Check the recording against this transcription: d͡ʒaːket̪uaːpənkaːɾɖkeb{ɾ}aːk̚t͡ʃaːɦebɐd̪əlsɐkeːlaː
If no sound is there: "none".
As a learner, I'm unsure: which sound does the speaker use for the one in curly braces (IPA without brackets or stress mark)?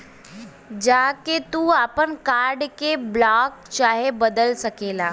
l